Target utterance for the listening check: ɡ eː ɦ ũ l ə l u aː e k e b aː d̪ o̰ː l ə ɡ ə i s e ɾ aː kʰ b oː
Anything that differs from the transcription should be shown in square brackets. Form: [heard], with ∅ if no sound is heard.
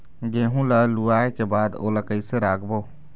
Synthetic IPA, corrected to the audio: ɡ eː ɦ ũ l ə l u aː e k e b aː d̪ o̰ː l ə [k] ə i s e ɾ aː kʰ b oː